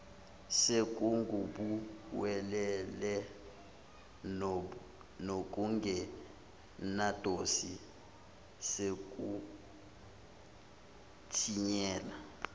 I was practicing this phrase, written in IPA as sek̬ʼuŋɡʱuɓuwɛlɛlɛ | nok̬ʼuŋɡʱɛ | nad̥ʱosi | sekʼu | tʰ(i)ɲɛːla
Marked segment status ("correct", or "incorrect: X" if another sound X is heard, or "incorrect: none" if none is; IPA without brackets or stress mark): correct